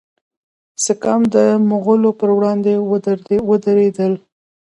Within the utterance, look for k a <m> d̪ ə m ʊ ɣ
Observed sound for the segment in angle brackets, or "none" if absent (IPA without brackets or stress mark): m